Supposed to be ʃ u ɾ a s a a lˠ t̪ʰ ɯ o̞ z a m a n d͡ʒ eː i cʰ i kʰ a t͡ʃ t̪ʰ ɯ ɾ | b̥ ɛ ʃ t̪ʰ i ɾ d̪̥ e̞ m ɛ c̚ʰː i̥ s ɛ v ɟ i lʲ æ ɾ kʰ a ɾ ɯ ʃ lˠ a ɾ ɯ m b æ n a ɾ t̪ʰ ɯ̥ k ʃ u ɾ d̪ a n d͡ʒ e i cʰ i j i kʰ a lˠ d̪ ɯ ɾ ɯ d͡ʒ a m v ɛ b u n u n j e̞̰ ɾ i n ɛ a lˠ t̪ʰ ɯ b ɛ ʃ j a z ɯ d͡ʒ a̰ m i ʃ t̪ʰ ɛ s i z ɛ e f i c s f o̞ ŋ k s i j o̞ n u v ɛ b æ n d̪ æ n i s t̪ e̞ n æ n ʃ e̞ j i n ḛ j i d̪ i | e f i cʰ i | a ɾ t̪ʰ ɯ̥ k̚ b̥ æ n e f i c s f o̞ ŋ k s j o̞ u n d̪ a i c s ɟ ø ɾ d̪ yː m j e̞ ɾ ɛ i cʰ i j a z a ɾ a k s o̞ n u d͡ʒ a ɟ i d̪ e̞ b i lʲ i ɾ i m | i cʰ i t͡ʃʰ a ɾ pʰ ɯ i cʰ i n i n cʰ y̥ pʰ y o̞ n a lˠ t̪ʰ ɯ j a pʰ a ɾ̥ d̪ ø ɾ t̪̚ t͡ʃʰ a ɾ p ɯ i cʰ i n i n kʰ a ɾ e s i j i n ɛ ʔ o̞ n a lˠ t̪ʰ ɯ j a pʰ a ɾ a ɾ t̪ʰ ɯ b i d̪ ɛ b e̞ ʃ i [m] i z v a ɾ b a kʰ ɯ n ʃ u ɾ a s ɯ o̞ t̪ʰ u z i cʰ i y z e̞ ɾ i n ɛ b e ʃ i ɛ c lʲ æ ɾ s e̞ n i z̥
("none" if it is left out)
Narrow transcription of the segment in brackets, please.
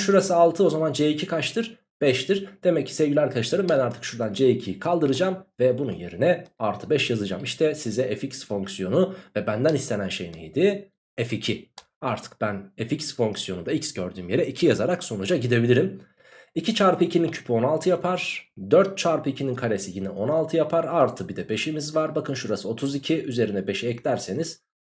m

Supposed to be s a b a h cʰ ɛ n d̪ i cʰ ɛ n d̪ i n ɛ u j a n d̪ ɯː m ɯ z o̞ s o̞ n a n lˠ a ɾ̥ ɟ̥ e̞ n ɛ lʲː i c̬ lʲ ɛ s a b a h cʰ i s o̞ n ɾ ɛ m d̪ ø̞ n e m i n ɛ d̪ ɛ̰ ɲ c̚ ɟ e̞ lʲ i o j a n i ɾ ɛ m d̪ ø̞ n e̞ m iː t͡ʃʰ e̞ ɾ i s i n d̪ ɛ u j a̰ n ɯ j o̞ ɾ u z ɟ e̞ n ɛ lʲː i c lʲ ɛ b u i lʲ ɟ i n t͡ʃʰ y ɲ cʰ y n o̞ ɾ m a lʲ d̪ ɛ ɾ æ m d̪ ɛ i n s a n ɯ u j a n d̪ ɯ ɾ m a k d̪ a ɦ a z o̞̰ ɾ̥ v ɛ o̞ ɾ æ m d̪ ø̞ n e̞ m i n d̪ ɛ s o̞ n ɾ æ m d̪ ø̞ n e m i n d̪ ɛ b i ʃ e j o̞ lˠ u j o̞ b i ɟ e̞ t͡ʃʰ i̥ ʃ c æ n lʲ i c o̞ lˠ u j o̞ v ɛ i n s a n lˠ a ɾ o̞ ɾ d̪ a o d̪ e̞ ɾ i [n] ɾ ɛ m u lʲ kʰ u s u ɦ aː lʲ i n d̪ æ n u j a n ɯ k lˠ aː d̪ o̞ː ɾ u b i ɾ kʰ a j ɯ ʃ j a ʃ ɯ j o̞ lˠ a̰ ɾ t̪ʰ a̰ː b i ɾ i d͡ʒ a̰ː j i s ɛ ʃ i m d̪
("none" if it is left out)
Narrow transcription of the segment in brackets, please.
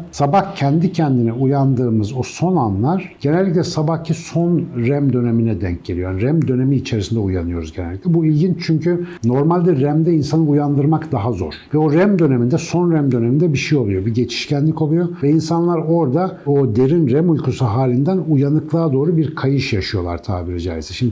n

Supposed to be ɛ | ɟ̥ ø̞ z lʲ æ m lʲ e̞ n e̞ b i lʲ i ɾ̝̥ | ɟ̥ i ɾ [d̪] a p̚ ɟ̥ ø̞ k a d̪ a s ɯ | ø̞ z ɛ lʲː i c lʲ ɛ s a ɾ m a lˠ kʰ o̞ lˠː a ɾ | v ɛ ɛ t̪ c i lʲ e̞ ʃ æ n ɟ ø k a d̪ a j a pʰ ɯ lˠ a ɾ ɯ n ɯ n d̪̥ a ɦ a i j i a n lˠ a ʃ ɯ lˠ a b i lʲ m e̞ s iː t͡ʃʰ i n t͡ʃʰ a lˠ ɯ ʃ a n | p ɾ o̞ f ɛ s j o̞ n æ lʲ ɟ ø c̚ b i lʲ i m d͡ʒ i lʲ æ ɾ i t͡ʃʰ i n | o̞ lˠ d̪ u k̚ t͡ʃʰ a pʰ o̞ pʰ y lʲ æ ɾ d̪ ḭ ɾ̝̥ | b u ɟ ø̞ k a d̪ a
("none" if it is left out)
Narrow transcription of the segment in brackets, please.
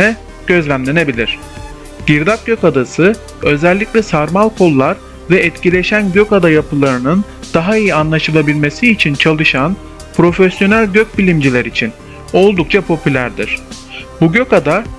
d̪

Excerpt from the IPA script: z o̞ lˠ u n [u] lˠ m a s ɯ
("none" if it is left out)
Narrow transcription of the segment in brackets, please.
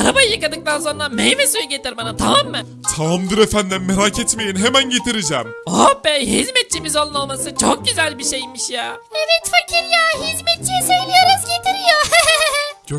o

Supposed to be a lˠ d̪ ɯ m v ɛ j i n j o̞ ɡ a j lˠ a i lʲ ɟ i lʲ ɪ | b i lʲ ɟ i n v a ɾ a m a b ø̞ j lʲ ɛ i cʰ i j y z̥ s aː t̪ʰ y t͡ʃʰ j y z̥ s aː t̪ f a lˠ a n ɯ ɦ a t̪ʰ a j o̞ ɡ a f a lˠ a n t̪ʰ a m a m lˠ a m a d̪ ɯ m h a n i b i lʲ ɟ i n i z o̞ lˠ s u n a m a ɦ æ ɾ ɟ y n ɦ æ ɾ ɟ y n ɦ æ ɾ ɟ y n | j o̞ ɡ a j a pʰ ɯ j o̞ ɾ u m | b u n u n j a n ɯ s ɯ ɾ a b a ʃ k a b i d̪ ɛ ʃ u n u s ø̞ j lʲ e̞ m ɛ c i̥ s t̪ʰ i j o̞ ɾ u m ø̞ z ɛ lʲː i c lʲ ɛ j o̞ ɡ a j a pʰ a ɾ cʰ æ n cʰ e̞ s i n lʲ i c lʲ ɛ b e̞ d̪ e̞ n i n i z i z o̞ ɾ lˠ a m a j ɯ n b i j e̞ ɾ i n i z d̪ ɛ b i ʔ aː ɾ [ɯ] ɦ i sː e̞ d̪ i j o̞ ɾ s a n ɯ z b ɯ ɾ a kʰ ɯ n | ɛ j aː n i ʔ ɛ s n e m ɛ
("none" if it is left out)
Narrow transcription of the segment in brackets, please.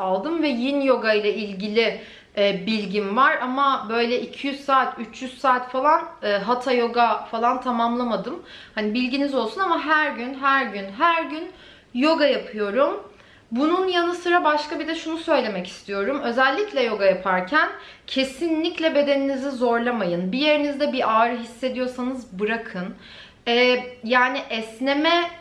ɯ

